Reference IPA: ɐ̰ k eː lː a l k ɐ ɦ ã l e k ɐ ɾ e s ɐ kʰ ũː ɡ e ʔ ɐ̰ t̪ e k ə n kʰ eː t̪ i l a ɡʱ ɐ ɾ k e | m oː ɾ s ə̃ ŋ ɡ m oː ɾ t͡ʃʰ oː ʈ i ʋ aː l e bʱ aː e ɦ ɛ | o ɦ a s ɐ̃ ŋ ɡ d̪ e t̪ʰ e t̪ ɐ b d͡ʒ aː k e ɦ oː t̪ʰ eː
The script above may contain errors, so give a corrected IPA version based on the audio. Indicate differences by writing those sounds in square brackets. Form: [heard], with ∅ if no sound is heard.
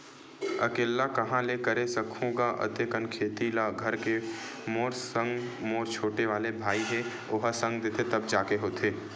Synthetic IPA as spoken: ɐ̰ k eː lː a [∅] k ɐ ɦ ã l e k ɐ ɾ e s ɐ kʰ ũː ɡ [a] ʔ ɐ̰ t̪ e k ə n kʰ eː t̪ i l a ɡʱ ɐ ɾ k e | m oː ɾ s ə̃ ŋ ɡ m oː ɾ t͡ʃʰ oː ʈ [e] ʋ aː l e bʱ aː [i] ɦ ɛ | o ɦ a s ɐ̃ ŋ ɡ d̪ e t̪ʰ e t̪ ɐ b d͡ʒ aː k e ɦ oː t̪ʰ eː